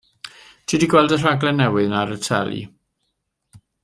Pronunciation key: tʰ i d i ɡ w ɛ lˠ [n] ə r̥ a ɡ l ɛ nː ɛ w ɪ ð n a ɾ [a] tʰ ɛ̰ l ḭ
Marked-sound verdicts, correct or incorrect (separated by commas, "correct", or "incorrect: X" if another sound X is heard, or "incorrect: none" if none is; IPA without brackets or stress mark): incorrect: d, incorrect: ə